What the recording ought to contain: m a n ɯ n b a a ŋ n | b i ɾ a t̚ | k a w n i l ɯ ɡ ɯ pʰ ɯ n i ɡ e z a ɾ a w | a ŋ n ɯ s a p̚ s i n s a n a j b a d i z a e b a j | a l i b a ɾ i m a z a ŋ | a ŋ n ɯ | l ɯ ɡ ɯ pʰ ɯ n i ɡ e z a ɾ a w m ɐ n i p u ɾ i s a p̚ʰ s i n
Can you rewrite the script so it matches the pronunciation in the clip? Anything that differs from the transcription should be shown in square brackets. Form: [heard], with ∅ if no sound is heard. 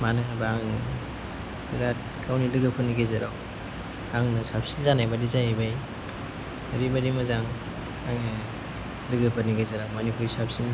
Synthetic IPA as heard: m a n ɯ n b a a ŋ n | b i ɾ a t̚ | k a w n i l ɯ ɡ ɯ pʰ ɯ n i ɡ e z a ɾ a w | a ŋ n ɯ s a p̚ s i n [z] a n a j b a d i z a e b a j | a [ɾ] i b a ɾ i m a z a ŋ | a ŋ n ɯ | l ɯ ɡ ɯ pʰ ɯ n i ɡ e z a ɾ a w m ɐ n i p u ɾ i s a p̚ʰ s i n